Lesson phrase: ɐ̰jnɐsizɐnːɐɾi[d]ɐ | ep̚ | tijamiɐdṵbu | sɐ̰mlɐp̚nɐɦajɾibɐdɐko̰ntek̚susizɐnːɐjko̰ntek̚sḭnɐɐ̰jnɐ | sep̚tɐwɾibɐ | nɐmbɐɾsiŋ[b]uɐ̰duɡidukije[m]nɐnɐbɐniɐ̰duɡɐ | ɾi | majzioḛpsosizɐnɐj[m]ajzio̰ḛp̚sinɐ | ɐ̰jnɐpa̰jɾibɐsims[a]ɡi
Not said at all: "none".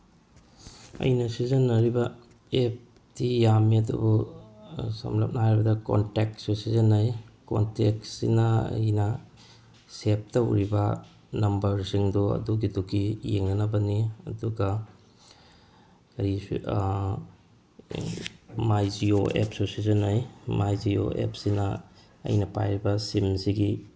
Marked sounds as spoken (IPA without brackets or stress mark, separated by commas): b, d, ŋ, m, i